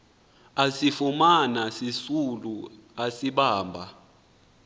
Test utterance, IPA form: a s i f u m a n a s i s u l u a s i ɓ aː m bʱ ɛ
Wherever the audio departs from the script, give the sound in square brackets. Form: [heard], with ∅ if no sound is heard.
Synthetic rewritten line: a s i f u m a n a s i s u l u a s i ɓ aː m bʱ [a]